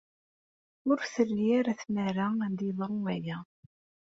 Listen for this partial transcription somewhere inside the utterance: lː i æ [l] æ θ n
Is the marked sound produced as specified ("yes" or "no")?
no